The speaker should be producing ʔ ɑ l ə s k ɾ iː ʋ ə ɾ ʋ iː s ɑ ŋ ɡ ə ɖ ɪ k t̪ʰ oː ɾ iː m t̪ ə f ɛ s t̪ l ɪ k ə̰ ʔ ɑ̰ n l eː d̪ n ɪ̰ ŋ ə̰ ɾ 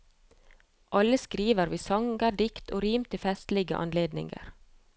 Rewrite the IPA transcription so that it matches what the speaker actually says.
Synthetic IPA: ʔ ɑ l ə s k ɾ iː ʋ ə ɾ ʋ iː s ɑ ŋ ɡ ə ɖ ɪ k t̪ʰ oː ɾ iː m t̪ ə f ɛ s t̪ l ɪ ɡ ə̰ ʔ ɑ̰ n l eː d̪ n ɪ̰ ŋ ə̰ ɾ